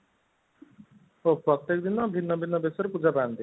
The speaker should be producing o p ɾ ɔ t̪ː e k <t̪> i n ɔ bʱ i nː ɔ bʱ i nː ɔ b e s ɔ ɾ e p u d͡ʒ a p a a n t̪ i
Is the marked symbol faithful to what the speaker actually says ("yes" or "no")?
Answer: no